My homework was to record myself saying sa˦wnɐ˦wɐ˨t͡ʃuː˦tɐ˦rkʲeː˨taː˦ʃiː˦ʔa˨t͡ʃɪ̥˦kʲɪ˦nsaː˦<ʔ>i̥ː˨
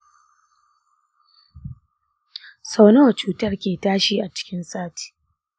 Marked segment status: incorrect: t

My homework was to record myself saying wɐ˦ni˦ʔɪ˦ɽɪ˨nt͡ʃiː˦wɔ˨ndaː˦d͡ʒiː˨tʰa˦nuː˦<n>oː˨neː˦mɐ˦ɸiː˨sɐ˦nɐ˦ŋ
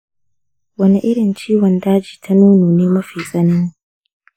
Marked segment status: correct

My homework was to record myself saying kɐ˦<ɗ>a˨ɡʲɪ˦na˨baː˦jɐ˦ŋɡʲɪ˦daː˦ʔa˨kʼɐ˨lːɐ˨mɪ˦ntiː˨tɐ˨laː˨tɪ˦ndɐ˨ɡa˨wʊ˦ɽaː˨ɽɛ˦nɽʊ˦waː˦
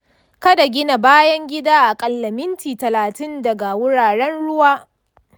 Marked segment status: incorrect: d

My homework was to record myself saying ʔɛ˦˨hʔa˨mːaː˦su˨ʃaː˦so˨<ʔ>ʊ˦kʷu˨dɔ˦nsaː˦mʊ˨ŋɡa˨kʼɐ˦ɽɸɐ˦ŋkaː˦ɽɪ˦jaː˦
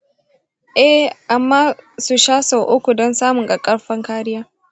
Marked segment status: correct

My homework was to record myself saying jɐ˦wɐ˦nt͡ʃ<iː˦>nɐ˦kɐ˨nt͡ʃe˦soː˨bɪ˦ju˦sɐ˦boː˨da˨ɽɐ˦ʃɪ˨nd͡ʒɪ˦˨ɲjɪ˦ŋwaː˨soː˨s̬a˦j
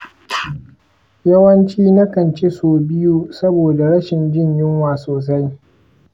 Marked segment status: correct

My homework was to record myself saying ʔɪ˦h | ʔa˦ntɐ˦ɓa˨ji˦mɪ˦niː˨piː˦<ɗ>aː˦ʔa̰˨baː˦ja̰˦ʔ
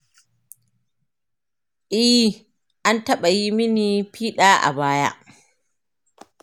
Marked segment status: correct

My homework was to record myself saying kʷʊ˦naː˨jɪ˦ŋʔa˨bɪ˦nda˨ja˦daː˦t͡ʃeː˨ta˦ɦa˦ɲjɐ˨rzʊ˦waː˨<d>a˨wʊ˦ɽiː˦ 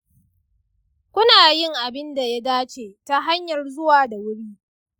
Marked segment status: correct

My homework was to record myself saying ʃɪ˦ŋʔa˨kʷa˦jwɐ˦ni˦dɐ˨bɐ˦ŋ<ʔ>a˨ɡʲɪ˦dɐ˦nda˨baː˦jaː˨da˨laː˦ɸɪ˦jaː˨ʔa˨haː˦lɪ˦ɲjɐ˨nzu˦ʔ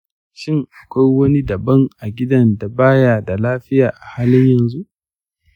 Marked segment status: correct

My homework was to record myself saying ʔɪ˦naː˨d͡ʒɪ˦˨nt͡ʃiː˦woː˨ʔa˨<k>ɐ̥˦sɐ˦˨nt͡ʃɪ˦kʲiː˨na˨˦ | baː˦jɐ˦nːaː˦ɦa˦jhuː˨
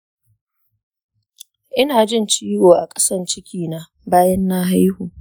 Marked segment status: incorrect: kʼ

